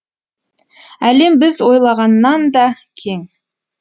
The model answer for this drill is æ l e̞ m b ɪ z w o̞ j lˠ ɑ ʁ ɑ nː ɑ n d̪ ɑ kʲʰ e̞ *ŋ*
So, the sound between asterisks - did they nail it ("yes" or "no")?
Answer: yes